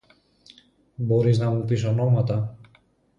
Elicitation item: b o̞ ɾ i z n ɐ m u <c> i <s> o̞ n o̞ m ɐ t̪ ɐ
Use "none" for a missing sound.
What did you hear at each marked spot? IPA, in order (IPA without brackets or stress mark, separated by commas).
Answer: p, s